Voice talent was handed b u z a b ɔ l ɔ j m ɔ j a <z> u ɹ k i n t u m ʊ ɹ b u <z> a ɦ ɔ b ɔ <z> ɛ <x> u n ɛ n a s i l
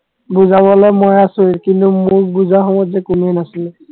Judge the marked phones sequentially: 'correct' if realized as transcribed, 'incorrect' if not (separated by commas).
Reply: incorrect, correct, correct, incorrect